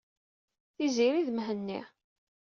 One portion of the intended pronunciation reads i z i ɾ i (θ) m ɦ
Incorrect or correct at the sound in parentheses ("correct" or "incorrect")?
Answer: incorrect